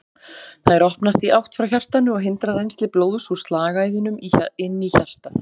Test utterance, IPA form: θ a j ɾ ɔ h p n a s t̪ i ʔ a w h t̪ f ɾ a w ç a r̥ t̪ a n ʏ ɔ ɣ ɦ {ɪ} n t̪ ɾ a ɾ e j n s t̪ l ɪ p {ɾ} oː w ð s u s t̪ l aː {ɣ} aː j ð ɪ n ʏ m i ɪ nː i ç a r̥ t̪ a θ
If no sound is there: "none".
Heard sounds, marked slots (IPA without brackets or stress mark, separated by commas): ɪ, l, ɣ